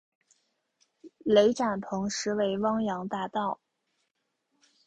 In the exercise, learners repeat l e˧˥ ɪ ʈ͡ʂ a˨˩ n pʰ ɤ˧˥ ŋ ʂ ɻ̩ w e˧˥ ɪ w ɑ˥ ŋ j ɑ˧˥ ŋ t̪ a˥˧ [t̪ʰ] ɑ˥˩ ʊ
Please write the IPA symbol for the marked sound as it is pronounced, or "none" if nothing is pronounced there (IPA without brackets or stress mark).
t̪